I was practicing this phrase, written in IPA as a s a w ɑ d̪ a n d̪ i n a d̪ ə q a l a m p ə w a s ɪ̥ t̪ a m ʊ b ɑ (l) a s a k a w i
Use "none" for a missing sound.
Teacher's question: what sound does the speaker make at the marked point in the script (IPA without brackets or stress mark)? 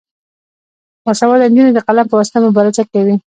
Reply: ɾ